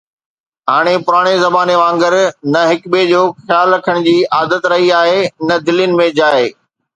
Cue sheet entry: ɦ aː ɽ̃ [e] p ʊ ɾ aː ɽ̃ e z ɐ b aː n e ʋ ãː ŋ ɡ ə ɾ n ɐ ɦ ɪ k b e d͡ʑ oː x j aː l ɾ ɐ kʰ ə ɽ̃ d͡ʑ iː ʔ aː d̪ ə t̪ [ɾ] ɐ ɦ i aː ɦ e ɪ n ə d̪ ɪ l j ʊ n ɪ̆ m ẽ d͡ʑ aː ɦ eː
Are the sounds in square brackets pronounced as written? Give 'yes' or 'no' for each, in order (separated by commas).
yes, yes